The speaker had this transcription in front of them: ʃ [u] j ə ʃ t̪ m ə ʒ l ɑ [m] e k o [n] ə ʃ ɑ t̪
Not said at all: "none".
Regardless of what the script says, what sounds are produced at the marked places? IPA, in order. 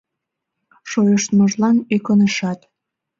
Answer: o, n, n

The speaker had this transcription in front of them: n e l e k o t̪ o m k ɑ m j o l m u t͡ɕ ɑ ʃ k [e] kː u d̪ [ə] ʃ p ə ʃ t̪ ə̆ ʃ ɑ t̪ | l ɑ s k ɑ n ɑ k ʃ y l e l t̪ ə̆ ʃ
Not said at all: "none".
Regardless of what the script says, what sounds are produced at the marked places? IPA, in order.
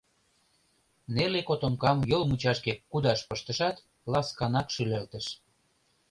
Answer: e, ɑ

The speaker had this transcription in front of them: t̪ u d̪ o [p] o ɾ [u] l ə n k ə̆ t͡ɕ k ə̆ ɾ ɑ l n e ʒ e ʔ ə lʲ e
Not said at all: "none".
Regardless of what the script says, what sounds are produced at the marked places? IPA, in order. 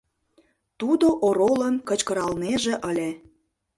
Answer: ʔ, o

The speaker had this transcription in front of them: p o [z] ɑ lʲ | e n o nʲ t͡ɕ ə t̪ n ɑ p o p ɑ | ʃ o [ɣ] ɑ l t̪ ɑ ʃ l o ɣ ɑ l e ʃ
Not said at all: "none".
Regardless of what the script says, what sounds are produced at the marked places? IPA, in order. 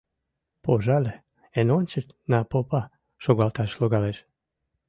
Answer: ʒ, ɣ

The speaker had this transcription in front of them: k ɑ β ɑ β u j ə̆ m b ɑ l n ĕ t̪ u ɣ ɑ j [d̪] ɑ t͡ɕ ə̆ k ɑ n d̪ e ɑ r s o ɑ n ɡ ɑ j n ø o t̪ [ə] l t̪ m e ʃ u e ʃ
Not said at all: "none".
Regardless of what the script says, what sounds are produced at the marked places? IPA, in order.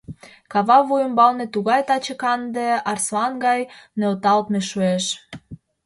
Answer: t̪, ɑ

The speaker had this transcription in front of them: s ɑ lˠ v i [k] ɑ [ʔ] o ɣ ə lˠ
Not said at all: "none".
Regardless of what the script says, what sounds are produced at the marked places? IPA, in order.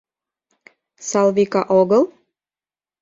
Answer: k, ʔ

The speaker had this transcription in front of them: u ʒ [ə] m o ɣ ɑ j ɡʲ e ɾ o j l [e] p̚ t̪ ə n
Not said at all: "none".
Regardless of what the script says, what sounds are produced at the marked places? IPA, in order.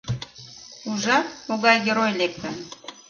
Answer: ɑ, e

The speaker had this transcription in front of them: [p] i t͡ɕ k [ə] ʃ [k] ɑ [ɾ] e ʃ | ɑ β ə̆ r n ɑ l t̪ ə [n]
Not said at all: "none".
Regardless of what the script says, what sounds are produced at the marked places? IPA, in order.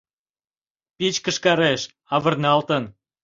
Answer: p, ə, k, ɾ, n

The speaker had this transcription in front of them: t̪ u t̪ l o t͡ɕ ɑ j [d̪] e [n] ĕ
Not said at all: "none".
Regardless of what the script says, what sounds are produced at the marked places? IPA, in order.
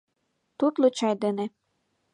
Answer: d̪, n

